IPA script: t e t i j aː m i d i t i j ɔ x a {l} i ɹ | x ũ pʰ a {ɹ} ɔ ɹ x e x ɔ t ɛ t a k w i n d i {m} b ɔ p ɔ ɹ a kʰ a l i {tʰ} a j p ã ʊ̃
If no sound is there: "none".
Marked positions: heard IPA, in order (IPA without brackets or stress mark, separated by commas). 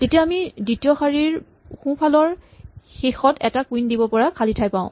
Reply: ɹ, l, none, tʰ